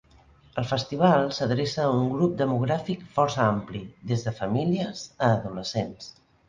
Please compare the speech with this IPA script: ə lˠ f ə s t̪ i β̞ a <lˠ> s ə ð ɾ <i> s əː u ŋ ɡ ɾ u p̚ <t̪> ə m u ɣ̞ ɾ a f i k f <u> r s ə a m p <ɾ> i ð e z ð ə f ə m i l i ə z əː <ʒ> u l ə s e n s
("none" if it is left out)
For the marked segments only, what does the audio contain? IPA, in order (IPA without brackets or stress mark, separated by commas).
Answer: lˠ, e, d̪, ɔ, l, ð